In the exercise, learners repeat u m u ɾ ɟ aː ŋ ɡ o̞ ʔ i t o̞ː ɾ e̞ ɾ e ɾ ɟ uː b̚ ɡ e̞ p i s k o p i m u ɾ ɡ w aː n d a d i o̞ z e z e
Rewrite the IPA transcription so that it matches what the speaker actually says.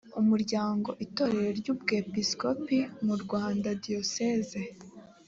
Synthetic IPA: u m u ɾ ɟ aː ŋ ɡ o̞ ʔ i t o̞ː ɾ e̞ ɾ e ɾ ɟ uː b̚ ɡ e̞ p i s k o p i m u ɾ ɡ w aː n d a d i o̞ s e z e